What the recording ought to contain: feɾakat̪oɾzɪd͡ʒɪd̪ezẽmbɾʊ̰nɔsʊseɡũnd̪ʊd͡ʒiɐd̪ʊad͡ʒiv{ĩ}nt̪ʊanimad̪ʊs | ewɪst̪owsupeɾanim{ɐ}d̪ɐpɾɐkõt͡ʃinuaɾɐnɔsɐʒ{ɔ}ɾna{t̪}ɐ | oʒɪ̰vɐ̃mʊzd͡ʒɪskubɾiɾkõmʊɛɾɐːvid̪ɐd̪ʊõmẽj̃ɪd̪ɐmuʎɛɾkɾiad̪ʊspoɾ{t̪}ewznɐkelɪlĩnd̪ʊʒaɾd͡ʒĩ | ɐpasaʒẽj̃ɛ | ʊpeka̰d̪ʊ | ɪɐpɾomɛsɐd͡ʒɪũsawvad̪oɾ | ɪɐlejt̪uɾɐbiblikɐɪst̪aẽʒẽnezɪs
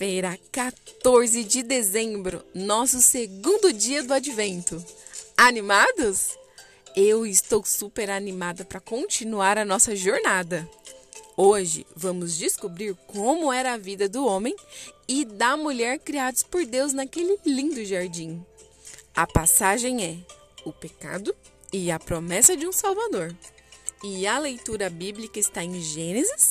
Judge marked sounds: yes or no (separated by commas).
no, no, no, no, no